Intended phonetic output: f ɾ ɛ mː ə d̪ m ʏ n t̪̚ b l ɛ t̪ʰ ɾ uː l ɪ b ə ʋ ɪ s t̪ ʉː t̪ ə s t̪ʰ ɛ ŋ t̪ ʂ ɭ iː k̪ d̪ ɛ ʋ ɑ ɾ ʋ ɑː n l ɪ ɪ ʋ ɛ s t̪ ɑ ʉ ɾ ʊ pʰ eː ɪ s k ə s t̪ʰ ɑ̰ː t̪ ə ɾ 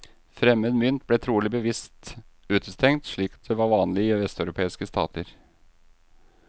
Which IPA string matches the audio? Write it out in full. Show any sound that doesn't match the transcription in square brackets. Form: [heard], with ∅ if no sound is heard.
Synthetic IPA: f ɾ ɛ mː ə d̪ m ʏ n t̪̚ b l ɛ t̪ʰ ɾ uː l ɪ b ə ʋ ɪ s t̪ ʉː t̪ ə s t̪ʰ ɛ ŋ t̪ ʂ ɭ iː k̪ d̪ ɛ ʋ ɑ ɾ ʋ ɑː n l ɪ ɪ ʋ ɛ s t̪ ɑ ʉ ɾ ʊ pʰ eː ɪ s k ə s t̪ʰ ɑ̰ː t̪ ə ɾ